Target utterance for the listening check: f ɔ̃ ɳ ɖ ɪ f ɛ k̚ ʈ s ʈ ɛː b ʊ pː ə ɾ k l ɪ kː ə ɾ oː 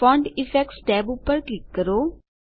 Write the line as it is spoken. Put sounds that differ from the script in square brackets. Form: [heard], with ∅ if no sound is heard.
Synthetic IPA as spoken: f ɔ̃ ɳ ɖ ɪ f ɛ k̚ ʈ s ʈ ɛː b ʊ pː ə ɾ k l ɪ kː ə ɾ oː